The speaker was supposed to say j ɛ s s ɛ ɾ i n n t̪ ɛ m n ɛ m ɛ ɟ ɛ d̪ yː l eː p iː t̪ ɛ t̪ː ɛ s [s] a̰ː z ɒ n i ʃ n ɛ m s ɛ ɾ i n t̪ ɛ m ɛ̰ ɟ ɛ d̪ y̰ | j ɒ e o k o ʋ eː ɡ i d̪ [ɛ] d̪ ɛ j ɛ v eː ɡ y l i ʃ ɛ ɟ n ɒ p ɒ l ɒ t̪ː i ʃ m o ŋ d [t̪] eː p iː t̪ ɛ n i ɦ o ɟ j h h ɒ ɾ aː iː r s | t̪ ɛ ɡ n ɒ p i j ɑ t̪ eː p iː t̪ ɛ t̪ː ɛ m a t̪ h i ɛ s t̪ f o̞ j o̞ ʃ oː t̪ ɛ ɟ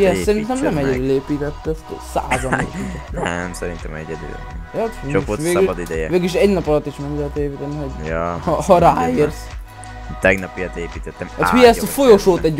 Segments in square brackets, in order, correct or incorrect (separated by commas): correct, incorrect, correct